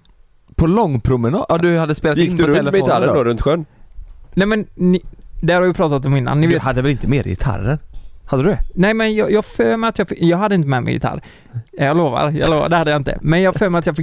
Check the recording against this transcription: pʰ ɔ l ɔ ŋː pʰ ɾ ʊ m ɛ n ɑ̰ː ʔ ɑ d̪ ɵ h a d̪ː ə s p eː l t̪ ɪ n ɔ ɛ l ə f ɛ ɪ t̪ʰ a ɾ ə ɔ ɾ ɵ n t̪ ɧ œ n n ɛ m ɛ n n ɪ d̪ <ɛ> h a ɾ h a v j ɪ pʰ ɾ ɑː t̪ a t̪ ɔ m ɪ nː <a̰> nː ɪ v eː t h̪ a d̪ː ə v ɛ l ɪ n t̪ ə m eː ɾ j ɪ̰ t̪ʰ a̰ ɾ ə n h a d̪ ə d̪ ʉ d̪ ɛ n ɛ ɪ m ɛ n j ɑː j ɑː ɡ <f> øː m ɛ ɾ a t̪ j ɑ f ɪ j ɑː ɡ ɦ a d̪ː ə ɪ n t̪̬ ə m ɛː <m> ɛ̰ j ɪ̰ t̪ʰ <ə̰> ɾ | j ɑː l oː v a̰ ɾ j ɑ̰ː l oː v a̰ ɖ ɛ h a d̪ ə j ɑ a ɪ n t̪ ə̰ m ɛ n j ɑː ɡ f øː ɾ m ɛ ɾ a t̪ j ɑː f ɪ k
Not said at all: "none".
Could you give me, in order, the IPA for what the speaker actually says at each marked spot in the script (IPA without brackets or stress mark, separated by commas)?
ɛ, a̰, f, m, a̰